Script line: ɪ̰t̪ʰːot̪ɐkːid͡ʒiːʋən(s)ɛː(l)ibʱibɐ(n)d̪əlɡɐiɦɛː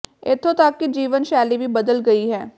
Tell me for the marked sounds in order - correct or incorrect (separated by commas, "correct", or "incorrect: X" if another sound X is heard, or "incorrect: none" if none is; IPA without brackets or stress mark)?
incorrect: ʃ, correct, incorrect: none